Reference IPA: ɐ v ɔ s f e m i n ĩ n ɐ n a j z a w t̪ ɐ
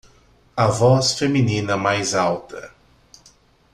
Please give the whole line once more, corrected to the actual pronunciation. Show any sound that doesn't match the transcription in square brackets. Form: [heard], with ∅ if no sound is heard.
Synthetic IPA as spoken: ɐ v ɔ s f e m i n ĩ n ɐ [m] a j z a w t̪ ɐ